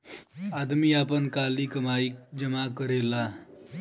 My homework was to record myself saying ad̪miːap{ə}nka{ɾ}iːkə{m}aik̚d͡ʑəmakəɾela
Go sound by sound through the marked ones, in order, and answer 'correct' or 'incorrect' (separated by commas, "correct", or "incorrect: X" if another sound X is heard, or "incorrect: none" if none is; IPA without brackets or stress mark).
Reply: correct, incorrect: l, correct